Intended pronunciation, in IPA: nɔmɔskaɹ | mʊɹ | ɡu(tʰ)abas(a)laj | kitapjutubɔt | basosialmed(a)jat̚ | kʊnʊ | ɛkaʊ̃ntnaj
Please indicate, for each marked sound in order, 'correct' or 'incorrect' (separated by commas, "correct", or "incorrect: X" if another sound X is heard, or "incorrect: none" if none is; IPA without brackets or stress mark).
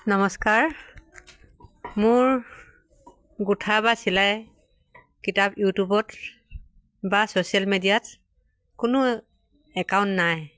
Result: correct, incorrect: i, incorrect: i